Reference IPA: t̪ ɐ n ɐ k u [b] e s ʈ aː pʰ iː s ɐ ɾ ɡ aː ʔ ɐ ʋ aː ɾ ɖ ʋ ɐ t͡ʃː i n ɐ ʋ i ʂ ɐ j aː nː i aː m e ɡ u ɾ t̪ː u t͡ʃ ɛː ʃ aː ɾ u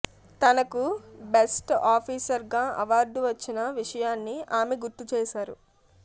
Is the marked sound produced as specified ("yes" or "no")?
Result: yes